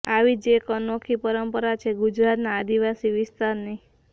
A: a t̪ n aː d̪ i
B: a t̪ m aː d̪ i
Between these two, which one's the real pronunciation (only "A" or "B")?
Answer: A